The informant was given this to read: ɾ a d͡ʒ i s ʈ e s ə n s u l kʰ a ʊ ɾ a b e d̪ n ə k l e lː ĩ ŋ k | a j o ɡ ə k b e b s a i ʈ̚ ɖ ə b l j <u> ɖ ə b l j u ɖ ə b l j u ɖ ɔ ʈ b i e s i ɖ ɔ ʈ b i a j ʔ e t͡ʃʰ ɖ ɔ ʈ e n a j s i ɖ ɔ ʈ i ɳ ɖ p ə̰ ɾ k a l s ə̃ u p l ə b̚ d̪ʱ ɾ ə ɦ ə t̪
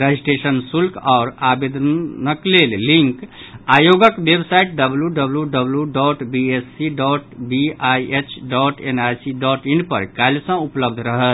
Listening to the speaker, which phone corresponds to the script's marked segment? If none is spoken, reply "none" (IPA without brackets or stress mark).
u